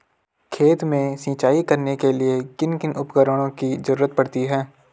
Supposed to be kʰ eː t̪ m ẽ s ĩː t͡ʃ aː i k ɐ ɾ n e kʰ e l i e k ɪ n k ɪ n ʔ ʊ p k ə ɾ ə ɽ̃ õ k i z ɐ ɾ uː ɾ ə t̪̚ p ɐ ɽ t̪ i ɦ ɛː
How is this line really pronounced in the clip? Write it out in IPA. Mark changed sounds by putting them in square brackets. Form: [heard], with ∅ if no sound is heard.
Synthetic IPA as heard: kʰ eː t̪ m ẽ s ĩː t͡ʃ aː i k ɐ ɾ n e [k] e l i e k ɪ n k ɪ n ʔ ʊ p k ə ɾ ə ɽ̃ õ k i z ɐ ɾ uː ɾ ə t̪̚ p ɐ ɽ t̪ i ɦ ɛː